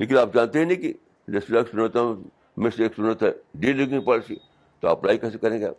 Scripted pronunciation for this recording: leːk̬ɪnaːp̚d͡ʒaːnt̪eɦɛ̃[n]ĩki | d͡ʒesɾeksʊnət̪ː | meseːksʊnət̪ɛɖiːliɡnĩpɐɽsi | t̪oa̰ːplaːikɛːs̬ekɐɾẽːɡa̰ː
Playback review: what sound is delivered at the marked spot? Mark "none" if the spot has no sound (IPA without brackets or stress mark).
n